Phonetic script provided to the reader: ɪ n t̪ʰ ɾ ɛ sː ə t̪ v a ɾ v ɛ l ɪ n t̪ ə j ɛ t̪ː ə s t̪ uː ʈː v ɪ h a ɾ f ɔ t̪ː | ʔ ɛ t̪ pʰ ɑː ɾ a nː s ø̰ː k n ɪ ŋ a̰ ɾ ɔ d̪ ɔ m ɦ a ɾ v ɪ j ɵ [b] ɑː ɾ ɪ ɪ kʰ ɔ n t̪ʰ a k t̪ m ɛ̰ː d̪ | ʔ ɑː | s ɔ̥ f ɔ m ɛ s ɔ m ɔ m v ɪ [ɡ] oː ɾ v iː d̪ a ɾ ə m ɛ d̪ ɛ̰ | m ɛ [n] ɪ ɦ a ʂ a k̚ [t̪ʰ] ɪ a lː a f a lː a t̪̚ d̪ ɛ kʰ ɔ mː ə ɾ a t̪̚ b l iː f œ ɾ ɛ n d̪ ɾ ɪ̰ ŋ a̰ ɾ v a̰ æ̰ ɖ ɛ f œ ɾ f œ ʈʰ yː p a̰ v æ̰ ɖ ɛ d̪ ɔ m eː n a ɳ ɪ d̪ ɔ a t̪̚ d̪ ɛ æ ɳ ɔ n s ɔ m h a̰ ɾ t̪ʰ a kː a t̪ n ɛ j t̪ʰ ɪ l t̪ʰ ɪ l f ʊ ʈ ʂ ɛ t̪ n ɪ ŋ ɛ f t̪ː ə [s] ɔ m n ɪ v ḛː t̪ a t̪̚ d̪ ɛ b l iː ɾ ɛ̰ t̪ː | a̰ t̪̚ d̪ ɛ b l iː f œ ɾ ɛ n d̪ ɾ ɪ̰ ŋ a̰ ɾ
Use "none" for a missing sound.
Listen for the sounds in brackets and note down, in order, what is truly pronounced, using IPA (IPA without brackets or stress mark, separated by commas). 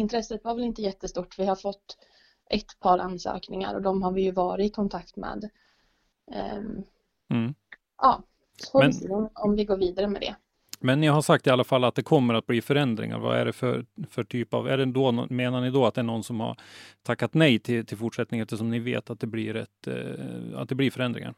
v, ɡ, nː, t̪, ʂ